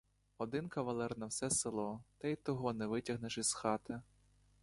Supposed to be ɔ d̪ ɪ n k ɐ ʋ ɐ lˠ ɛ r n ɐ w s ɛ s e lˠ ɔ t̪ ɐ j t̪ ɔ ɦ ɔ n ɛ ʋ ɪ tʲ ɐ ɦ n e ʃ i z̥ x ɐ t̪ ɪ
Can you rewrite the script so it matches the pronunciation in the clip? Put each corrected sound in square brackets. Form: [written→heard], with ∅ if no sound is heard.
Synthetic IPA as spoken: ɔ d̪ ɪ n k ɐ ʋ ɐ lˠ ɛ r n ɐ w s ɛ s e lˠ ɔ t̪ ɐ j t̪ ɔ ɦ ɔ n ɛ ʋ ɪ tʲ ɐ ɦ n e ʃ i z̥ x [ɐ→ɑ] t̪ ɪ